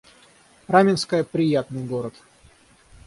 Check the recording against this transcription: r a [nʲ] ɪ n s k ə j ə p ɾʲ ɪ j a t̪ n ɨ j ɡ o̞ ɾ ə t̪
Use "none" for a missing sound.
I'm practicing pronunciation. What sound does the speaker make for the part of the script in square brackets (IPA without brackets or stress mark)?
mʲ